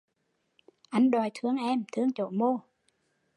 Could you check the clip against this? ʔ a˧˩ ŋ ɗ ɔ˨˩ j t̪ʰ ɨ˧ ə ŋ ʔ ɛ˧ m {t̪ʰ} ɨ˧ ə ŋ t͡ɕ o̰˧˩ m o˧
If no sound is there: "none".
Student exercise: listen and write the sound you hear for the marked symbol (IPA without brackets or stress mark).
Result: t̪ʰ